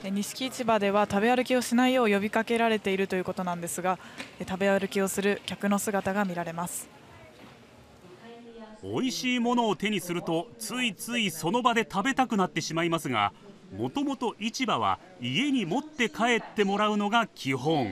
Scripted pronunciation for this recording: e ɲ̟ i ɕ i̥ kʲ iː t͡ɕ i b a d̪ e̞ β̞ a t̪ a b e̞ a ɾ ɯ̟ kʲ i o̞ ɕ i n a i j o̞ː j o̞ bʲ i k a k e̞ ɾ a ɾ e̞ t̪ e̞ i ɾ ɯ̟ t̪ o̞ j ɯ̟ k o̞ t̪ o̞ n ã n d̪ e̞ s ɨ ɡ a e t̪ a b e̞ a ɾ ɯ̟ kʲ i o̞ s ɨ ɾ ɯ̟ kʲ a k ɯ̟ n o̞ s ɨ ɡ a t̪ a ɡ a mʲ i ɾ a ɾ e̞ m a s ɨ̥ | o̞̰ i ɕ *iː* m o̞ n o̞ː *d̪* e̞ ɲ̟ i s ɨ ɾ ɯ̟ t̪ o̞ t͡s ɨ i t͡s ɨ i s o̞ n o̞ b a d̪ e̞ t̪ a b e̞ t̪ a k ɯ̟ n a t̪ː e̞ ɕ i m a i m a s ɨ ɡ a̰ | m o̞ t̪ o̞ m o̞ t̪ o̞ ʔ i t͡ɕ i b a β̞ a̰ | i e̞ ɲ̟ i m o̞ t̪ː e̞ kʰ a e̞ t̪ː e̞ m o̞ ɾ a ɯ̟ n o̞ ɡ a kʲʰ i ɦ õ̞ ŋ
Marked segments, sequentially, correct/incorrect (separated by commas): correct, incorrect